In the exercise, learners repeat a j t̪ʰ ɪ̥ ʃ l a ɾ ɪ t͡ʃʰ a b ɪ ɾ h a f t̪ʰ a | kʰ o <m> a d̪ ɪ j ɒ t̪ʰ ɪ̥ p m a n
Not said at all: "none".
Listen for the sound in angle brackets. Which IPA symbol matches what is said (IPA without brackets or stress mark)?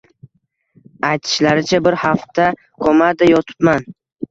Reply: m